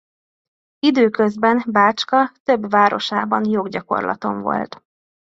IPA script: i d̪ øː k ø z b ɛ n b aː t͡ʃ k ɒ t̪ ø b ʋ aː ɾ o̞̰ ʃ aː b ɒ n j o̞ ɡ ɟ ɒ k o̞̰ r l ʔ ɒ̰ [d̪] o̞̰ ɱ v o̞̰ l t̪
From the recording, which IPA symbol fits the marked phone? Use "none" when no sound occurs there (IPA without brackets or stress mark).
t̪